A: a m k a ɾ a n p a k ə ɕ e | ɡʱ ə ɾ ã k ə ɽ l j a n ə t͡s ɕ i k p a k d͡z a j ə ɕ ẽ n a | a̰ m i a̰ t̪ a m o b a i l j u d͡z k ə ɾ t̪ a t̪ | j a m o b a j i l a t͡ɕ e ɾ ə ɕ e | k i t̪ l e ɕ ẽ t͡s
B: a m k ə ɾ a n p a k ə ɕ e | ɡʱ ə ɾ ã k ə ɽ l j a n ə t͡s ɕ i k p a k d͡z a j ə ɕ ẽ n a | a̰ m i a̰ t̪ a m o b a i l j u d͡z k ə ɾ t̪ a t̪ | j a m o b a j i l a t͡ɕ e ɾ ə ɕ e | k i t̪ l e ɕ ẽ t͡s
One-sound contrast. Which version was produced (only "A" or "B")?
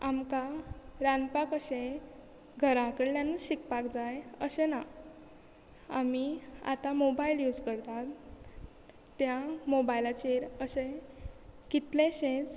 A